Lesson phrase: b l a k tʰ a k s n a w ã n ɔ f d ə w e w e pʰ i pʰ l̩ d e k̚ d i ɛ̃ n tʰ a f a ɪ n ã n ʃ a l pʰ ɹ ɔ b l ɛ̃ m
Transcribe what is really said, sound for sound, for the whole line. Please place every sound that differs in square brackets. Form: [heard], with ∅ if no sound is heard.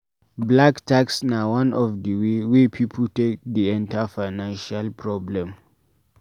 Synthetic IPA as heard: b l a k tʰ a k s n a w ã n ɔ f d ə w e w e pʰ i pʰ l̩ [t] e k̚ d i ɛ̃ n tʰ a f a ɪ n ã n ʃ a l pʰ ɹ ɔ b l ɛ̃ m